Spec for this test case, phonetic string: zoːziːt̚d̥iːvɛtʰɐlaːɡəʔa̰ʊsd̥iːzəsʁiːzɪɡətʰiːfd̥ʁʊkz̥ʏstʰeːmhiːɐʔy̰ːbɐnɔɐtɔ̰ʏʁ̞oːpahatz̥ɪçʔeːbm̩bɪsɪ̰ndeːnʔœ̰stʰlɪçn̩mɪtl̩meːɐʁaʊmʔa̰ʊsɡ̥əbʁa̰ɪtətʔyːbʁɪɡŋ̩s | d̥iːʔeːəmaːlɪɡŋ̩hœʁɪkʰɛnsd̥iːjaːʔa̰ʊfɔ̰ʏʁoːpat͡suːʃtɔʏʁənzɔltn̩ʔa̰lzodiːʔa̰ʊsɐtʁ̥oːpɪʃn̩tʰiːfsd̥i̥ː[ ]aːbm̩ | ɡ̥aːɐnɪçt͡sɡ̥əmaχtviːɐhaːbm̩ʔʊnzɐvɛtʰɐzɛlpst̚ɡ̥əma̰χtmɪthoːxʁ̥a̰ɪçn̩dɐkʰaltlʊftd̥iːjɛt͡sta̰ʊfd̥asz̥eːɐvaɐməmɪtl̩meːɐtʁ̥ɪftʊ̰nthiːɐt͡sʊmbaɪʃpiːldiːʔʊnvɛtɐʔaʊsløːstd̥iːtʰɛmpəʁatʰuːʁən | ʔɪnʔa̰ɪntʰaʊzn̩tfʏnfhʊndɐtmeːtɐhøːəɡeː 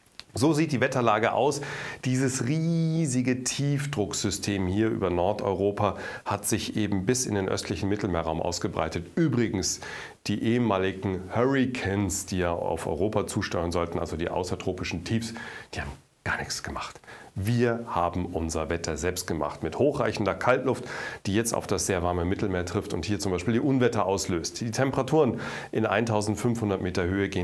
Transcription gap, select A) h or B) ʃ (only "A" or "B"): A